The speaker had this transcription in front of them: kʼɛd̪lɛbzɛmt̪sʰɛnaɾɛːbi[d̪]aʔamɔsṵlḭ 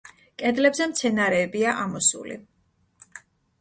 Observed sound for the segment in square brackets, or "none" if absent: none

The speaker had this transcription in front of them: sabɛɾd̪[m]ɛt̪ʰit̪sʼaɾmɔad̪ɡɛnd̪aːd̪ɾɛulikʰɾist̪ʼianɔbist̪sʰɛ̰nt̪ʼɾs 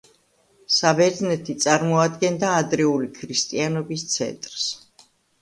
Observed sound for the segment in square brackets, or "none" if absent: n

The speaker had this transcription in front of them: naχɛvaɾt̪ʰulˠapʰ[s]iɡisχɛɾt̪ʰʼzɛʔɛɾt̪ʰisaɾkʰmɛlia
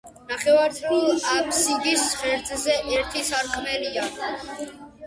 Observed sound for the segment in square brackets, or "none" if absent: s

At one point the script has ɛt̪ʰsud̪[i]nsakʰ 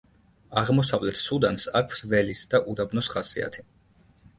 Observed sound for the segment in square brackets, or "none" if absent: a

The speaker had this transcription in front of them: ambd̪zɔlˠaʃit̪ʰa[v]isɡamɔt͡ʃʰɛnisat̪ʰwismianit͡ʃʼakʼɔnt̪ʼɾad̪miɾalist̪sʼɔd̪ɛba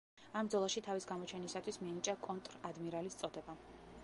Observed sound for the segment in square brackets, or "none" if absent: v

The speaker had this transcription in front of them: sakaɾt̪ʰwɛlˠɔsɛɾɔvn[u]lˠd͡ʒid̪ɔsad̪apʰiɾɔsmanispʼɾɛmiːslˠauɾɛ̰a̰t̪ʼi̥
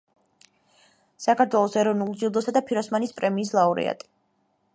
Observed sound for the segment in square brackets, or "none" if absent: u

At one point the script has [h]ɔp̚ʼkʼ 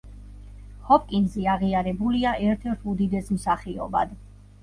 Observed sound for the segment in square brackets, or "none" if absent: h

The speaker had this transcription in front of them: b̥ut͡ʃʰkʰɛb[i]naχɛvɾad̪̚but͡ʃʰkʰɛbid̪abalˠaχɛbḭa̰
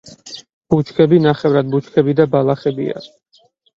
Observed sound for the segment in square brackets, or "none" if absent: i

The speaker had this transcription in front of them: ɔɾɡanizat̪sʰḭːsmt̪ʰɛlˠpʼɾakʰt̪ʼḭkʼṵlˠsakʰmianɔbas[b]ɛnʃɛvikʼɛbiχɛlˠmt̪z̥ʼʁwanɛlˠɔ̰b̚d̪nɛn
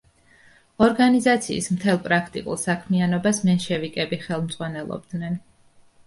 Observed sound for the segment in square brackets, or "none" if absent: m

